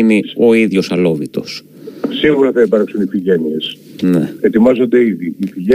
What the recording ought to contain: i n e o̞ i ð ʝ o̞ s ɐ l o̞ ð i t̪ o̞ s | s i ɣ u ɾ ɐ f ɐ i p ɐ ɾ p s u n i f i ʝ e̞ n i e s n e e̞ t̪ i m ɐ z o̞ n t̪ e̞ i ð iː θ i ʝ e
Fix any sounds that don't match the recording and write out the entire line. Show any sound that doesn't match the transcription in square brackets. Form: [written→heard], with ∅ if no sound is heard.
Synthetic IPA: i n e o̞ i ð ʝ o̞ s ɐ l o̞ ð i t̪ o̞ s | s i ɣ u ɾ ɐ [f→θ] ɐ i p ɐ ɾ [p→k] s u n i f i ʝ e̞ n i e s n e e̞ t̪ i m ɐ z o̞ n [t̪→d̪] e̞ i ð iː [θ→f] i ʝ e